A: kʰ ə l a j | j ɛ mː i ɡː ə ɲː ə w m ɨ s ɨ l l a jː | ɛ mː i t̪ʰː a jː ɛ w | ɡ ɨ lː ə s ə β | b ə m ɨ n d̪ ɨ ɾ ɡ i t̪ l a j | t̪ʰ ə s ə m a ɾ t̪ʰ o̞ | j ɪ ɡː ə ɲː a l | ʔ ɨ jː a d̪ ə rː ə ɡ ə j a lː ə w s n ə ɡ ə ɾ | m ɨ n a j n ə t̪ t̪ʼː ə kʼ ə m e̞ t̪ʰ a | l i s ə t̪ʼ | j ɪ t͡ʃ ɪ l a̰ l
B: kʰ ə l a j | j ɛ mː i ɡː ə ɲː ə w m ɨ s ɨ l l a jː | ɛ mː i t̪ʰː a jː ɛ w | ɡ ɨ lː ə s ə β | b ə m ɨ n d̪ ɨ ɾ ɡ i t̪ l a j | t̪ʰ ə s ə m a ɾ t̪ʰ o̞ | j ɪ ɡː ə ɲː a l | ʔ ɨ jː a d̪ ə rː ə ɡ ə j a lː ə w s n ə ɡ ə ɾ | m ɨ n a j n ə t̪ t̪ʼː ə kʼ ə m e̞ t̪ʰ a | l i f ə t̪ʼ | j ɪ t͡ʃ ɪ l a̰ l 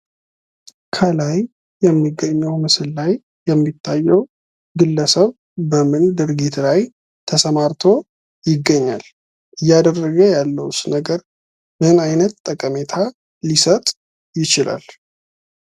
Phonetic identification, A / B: A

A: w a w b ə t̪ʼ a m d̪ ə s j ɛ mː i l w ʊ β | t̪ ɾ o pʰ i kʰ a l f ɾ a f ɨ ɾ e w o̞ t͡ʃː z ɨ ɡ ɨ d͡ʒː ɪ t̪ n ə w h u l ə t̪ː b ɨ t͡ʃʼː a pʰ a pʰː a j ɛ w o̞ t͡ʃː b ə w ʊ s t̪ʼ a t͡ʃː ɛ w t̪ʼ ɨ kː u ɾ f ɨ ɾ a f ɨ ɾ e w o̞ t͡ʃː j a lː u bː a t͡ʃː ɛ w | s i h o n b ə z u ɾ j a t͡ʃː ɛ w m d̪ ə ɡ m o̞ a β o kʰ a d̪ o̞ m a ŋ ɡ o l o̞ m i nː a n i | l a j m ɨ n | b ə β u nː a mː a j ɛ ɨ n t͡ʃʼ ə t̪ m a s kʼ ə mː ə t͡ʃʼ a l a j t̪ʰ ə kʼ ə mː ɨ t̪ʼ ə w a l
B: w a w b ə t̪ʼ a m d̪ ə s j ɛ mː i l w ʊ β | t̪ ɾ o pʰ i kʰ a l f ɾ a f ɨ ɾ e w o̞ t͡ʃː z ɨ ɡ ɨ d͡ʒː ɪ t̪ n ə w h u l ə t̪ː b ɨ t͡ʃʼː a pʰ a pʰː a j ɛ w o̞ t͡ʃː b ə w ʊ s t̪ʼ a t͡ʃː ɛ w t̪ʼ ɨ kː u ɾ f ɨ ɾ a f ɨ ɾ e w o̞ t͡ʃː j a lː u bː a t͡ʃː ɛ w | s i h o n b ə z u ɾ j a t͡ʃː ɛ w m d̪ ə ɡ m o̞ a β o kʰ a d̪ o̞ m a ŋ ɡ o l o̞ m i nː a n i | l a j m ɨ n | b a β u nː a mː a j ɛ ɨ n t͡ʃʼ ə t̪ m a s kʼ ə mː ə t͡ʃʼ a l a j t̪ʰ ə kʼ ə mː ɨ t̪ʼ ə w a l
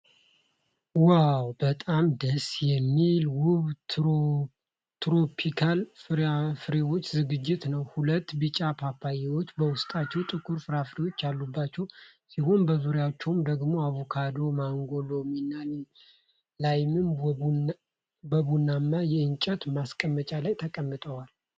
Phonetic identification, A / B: A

